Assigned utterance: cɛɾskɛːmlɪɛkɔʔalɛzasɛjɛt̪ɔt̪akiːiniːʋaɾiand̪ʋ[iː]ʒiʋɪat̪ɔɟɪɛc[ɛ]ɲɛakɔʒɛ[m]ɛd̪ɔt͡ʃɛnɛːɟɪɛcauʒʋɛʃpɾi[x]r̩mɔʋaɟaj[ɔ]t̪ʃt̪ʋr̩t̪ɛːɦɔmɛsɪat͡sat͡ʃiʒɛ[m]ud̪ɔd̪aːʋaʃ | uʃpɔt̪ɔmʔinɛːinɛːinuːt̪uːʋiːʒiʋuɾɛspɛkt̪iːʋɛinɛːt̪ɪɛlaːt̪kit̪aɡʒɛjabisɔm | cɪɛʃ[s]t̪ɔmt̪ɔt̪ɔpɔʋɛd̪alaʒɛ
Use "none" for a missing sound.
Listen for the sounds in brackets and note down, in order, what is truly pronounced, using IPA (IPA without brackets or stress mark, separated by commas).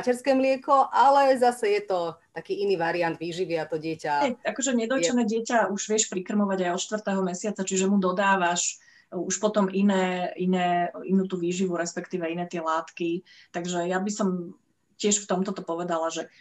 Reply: iː, a, ɲ, k, ɔ, m, f